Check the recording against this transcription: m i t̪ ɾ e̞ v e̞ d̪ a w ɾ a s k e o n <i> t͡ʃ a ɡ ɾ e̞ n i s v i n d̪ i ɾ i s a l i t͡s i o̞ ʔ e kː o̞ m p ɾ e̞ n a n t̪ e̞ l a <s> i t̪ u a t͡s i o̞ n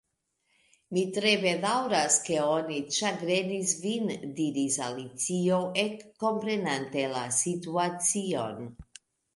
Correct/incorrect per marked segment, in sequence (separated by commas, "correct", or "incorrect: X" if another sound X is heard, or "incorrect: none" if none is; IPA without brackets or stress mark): correct, correct